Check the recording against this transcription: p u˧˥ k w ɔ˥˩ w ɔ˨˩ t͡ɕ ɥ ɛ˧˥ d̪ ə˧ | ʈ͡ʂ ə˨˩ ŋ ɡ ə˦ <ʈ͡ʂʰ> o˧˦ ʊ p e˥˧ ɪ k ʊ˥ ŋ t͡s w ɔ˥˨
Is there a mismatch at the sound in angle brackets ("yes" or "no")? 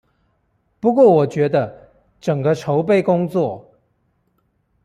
no